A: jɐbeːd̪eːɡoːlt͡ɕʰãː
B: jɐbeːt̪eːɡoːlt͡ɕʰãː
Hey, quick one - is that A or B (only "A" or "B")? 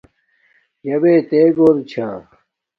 B